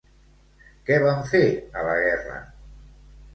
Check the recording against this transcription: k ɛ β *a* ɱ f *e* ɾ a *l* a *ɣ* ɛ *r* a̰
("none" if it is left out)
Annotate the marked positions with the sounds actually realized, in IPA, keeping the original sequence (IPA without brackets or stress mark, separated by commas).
a, e, l, ɣ, r